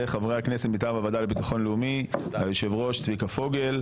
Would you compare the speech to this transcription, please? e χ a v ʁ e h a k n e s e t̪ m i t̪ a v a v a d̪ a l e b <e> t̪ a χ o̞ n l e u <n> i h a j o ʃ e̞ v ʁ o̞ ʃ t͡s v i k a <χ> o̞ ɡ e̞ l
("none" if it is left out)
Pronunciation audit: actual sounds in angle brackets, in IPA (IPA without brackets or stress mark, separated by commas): i, m, f